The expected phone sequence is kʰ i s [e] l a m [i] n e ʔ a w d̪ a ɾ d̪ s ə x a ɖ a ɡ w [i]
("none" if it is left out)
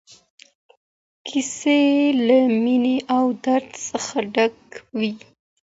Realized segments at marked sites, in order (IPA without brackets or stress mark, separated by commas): e, i, i